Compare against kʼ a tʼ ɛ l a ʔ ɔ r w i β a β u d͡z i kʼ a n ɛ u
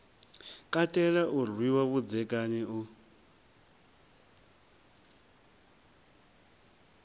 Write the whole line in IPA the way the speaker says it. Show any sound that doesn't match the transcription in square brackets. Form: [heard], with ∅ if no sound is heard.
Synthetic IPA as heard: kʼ a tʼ ɛ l a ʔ [u] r w i [w] a β u d͡z [ɛ] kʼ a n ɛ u